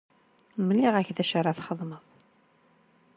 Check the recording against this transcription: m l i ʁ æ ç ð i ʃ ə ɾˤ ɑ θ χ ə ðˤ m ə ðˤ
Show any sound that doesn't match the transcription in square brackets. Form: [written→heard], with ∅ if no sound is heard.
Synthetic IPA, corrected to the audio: m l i ʁ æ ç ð [i→æ] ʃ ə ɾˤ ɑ θ χ ə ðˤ m ə ðˤ